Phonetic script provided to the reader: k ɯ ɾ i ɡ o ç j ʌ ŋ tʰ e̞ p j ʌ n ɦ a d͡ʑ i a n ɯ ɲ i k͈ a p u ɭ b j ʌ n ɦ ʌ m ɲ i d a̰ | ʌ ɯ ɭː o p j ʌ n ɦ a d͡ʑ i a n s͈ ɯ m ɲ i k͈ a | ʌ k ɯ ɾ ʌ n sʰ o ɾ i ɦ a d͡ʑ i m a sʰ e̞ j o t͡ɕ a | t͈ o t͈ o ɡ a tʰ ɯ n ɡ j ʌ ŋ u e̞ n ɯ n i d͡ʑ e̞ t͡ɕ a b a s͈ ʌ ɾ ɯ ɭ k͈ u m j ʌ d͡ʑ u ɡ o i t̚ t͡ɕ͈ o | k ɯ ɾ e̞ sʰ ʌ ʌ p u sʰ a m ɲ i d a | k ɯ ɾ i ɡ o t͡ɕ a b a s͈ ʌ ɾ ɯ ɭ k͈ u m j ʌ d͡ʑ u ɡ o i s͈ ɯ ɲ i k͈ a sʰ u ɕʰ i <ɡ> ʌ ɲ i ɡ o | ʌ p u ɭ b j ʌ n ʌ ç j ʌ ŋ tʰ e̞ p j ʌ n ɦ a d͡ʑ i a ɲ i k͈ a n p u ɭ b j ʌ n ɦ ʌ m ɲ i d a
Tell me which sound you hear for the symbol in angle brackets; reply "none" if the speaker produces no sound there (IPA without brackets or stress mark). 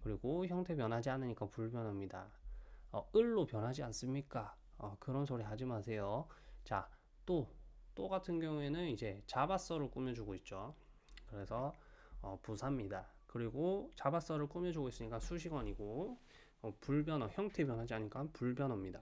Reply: ɡ